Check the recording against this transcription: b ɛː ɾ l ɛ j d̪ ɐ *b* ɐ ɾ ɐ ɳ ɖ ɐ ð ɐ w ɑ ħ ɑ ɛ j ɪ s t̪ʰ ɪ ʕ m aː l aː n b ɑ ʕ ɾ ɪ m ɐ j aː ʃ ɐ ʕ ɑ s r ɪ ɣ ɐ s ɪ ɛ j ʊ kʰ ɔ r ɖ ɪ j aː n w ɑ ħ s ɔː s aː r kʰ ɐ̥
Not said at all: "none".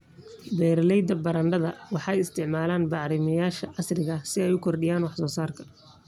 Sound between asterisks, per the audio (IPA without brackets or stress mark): b